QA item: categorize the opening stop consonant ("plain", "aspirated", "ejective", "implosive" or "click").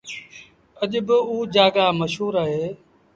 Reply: implosive